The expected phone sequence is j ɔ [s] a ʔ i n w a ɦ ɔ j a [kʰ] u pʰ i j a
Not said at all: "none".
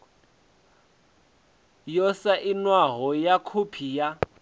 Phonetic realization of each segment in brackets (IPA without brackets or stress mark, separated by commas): s, kʰ